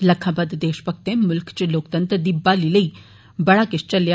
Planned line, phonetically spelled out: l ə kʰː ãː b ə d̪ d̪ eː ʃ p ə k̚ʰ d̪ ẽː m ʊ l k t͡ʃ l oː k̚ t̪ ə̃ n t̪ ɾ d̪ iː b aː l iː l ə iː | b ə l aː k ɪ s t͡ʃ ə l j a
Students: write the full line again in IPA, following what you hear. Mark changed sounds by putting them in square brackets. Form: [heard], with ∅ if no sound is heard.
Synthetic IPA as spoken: l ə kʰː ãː b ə d̪ d̪ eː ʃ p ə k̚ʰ [t̪] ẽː m ʊ l k t͡ʃ l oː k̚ t̪ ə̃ n t̪ ɾ d̪ iː b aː l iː l ə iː | b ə [ɽ] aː k ɪ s t͡ʃ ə l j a